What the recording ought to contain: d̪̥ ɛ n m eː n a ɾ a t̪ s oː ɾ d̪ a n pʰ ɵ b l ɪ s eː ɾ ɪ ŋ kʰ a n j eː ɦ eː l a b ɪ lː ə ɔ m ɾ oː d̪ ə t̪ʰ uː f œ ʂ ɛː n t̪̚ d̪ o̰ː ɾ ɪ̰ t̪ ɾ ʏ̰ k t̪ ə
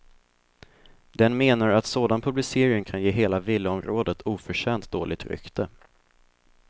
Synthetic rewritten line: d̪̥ ɛ n m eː n a ɾ a t̪ s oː d̪ a n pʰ ɵ b l ɪ s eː ɾ ɪ ŋ kʰ a n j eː ɦ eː l a v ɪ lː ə ɔ m ɾ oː d̪ ə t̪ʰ uː f œ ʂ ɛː n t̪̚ d̪ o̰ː l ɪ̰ t̪ ɾ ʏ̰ k t̪ ə